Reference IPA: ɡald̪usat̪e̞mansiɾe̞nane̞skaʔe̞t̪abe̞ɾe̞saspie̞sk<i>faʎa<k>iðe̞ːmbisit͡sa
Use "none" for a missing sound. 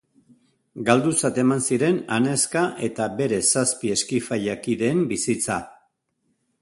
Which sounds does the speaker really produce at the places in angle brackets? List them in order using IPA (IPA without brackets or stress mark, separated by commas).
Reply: i, k